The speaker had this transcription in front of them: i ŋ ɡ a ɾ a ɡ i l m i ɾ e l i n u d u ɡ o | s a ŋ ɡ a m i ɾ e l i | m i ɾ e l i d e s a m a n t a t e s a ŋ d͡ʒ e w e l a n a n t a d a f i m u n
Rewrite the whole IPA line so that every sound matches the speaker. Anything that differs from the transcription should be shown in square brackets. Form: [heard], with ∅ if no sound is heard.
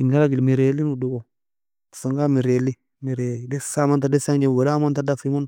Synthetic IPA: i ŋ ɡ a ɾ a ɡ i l m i ɾ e l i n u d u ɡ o | s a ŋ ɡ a m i ɾ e l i | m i ɾ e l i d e s a m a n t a [d] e s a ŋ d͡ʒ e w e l a [m] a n t a d a f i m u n